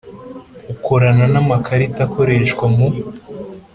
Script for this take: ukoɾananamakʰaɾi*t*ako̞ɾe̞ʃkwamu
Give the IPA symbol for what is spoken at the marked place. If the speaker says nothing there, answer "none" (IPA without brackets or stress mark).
t